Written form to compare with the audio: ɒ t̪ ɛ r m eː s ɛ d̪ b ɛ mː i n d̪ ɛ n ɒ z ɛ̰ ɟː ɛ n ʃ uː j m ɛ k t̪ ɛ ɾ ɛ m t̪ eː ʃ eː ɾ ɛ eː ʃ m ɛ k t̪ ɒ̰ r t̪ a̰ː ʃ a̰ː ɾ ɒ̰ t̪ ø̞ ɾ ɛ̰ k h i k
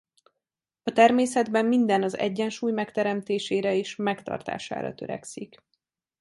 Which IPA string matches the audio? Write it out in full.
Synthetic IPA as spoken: ɒ t̪ ɛ r m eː s ɛ d̪ b ɛ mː i n d̪ ɛ n ɒ z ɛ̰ ɟː ɛ n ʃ uː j m ɛ k t̪ ɛ ɾ ɛ m t̪ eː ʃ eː ɾ ɛ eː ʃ m ɛ k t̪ ɒ̰ r t̪ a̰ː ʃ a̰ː ɾ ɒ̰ t̪ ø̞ ɾ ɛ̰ k s i k